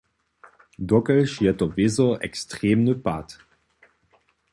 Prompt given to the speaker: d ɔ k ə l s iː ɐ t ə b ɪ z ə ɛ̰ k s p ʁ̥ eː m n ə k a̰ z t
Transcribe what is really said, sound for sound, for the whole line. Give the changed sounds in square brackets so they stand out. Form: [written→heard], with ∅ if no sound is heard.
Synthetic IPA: d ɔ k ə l [s→ʃ] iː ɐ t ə [b→v] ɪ z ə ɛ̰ k s [p→t] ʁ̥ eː m n ə [k→p] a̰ [z→∅] t